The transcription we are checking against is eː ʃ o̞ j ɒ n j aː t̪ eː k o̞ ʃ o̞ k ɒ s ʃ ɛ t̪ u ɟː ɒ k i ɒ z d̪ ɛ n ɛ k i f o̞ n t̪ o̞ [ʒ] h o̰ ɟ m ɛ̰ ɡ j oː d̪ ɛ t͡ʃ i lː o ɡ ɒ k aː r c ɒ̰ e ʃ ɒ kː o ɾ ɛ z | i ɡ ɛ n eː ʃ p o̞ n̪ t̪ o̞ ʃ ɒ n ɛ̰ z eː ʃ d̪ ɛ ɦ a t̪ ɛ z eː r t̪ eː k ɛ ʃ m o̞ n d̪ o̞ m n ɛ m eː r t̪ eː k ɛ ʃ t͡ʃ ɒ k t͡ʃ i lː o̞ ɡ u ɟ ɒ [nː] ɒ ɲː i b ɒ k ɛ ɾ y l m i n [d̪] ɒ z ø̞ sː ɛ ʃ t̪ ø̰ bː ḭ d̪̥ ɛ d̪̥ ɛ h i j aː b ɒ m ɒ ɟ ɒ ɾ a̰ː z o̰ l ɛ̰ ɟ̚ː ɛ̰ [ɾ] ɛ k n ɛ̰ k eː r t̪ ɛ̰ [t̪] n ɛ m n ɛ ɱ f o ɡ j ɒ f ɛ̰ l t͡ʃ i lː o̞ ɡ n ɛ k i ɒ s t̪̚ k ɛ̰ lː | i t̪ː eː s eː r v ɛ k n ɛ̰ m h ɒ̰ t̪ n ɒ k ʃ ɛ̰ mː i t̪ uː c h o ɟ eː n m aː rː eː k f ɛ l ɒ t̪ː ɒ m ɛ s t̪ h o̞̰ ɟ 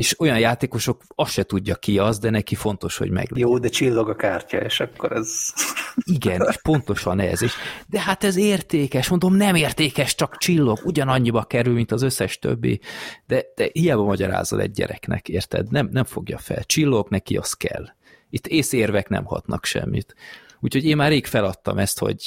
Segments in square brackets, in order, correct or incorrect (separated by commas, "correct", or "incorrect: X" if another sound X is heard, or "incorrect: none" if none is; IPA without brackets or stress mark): incorrect: ʃ, incorrect: n, incorrect: t̪, correct, incorrect: d̪